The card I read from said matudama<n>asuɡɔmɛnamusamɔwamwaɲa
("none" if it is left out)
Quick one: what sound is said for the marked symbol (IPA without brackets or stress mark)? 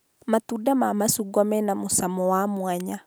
m